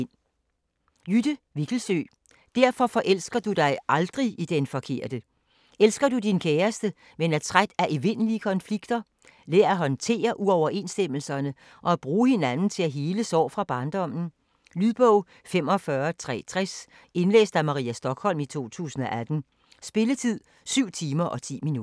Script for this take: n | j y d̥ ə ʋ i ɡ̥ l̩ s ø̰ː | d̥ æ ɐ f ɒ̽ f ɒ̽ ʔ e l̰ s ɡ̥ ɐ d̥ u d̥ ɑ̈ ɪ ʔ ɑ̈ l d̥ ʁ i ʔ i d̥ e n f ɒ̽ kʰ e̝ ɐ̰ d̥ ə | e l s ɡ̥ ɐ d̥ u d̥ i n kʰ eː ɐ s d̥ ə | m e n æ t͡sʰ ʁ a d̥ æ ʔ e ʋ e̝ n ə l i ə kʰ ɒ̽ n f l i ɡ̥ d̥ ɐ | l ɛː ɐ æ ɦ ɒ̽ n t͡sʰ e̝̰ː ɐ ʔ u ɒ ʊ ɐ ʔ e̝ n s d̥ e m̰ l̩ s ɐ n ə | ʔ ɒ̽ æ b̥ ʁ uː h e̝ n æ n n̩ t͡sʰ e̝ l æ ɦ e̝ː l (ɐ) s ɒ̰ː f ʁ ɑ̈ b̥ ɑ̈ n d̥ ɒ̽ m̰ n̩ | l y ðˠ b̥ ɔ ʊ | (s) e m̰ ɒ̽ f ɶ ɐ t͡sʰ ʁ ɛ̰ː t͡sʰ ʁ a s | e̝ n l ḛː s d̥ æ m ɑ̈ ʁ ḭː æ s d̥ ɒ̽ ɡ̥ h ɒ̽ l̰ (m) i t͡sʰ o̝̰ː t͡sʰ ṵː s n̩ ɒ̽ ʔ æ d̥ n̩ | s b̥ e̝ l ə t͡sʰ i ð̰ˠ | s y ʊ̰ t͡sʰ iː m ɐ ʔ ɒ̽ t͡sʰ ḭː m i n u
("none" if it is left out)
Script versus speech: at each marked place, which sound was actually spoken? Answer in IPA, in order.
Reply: ə, f, m

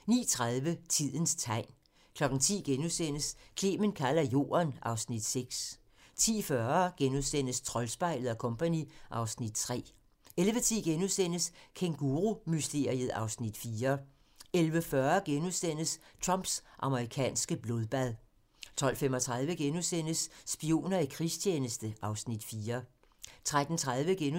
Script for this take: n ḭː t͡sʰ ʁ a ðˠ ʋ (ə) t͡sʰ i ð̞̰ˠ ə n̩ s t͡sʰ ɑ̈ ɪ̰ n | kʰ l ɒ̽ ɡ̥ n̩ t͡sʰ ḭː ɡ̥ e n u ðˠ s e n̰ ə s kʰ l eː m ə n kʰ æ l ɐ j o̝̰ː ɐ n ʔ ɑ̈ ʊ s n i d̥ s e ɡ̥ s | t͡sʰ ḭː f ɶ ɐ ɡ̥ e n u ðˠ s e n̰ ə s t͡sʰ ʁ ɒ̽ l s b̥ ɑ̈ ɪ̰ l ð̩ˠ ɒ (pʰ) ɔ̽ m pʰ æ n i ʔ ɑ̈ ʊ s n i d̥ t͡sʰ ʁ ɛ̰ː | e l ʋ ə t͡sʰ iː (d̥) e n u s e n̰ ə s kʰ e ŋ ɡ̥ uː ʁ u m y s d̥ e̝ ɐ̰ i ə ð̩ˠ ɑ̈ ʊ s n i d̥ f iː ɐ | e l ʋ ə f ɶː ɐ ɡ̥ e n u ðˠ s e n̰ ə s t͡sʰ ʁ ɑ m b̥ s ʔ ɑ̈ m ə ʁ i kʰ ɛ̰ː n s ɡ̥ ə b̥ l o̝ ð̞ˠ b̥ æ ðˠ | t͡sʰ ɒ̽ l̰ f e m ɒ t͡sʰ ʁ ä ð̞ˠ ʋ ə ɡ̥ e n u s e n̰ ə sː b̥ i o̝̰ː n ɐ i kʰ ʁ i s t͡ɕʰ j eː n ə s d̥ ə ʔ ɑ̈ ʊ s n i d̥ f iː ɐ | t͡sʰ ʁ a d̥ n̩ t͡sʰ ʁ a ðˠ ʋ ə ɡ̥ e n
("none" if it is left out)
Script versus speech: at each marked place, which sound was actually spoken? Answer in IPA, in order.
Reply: ə, kʰ, ɡ̥

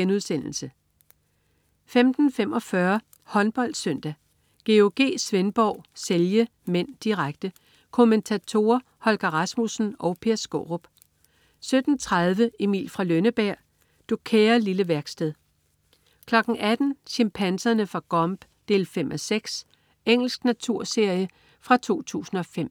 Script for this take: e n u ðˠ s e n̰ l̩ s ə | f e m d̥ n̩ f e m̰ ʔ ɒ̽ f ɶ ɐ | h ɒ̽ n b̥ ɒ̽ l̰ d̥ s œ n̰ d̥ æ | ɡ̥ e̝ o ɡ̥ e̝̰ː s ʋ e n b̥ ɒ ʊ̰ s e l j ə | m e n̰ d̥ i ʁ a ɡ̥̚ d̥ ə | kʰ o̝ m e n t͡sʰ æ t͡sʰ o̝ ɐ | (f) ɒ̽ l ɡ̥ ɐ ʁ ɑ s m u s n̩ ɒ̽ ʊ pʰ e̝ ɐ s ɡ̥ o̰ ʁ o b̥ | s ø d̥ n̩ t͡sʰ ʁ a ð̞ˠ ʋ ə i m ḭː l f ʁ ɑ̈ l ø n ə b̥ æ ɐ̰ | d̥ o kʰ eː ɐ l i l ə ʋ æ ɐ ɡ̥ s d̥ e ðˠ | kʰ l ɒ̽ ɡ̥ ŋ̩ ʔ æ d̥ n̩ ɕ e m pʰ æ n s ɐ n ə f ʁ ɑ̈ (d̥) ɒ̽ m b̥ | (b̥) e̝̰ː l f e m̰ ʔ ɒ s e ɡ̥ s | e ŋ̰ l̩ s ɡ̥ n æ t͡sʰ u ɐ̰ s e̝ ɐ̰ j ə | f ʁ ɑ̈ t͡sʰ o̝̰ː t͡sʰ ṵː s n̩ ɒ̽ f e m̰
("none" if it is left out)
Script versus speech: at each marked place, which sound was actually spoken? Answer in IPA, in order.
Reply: h, ɡ̥, d̥

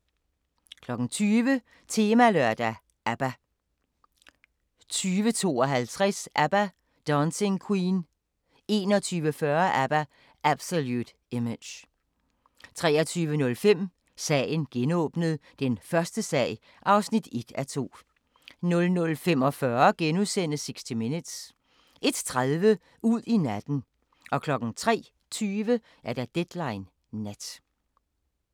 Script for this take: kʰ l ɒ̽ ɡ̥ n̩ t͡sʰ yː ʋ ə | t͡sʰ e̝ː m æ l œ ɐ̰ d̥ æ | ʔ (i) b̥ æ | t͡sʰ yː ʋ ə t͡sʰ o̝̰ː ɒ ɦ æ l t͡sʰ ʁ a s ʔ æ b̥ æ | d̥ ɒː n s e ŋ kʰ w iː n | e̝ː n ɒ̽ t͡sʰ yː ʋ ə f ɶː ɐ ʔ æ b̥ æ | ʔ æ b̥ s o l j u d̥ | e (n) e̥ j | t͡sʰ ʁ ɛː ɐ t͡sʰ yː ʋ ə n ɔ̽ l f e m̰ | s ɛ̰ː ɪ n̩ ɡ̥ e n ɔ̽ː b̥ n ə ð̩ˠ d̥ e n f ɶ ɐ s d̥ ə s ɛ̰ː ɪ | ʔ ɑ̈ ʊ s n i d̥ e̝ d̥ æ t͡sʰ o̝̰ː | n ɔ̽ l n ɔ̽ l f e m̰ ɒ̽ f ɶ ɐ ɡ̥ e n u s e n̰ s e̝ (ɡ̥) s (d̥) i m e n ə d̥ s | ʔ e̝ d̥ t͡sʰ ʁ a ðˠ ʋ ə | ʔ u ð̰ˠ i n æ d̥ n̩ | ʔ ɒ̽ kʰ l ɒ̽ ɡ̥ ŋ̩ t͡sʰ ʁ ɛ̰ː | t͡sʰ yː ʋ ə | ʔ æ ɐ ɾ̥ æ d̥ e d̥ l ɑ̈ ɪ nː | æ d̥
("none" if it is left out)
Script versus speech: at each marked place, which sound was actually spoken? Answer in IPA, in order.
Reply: æ, m, ɡ̥, d̥

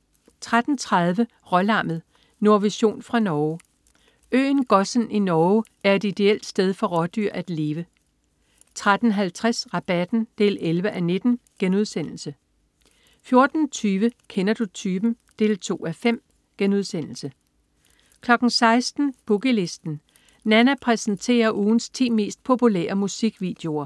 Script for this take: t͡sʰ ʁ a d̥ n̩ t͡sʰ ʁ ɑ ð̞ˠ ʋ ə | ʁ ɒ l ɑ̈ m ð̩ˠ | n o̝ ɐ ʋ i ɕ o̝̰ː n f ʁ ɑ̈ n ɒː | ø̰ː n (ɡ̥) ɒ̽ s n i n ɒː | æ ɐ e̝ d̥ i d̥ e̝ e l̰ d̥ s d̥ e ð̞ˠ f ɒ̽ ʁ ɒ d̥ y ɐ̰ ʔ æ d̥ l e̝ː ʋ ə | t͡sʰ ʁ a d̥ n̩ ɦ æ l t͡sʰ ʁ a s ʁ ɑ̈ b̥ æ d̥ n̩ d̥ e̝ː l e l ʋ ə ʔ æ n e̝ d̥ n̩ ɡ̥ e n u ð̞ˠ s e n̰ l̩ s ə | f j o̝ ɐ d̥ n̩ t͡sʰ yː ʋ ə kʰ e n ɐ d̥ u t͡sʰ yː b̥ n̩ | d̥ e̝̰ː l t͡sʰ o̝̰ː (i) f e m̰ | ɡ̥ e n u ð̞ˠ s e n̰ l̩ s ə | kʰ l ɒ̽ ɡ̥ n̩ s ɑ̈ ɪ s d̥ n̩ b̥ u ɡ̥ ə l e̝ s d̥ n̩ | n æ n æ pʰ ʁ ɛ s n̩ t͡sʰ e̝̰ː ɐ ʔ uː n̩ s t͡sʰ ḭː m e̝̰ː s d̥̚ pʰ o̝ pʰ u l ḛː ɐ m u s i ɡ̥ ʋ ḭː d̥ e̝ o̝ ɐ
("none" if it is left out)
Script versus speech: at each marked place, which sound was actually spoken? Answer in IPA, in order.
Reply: ɡ̥, æ

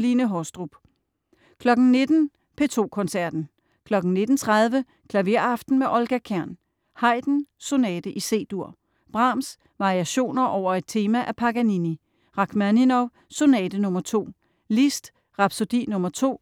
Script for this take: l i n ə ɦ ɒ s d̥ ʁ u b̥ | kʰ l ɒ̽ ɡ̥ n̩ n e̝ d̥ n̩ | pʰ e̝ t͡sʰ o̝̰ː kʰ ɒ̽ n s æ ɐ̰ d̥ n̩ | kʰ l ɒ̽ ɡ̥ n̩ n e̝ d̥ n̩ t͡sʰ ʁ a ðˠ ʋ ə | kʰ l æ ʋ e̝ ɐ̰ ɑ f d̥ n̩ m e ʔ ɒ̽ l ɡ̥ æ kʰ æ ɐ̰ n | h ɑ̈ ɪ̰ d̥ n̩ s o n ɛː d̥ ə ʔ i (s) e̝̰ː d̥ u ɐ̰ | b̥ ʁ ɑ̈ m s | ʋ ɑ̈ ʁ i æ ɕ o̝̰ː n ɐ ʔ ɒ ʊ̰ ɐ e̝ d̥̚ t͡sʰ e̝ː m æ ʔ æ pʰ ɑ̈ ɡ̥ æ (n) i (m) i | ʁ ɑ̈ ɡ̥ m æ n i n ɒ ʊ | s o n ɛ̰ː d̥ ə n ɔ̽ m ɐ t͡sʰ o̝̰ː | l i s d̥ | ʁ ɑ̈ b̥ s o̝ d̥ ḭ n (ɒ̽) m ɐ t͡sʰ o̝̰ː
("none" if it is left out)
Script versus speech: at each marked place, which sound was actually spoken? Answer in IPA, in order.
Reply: s, n, n, ɔ̽

